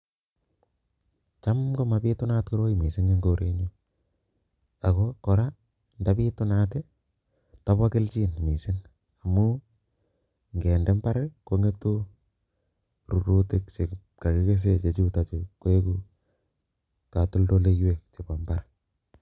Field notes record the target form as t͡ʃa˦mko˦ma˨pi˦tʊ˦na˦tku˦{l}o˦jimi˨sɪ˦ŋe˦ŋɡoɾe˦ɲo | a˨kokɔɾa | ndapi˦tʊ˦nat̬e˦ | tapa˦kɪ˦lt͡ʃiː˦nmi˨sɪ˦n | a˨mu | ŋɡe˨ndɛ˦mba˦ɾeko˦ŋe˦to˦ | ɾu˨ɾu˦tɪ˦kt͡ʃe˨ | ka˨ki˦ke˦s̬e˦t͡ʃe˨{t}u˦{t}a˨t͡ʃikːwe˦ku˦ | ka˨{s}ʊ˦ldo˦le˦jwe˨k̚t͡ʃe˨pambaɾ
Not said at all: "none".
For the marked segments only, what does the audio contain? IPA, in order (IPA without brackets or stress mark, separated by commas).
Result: ɾ, t͡ʃ, t, t